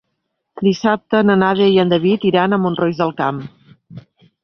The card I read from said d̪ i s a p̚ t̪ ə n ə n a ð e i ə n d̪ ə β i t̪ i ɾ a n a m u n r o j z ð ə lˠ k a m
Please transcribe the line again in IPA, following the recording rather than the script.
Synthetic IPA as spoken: d̪ i s a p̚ t̪ ə n ə n a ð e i ə n d̪ ə β i t̪ i ɾ a n ə m u n r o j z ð ə lˠ k a m